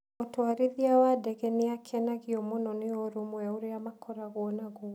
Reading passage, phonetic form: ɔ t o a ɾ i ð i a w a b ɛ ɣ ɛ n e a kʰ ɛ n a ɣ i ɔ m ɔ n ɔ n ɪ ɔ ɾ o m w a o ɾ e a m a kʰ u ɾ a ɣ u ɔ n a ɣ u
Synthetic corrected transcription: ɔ t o a ɾ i ð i a w a d ɛ ɣ ɛ n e a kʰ ɛ n a ɣ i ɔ m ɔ n ɔ n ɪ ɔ ɾ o m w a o ɾ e a m a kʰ ɔ ɾ a ɣ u ɔ n a ɣ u